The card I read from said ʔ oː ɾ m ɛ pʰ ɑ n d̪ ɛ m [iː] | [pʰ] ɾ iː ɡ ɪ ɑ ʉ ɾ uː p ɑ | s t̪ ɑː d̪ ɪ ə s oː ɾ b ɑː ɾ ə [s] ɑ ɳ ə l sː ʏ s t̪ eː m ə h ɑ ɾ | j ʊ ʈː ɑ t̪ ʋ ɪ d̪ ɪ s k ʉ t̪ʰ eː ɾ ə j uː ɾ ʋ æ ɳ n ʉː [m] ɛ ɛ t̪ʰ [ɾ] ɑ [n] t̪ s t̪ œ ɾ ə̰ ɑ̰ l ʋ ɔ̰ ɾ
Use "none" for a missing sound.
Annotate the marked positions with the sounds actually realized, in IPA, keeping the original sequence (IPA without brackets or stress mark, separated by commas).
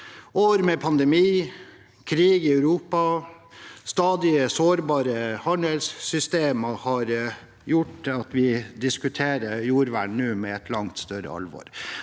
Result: iː, kʰ, h, m, l, ŋ